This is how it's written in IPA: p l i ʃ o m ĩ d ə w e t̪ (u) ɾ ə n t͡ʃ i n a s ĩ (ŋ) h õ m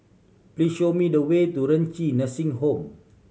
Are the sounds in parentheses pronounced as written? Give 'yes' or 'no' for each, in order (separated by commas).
yes, yes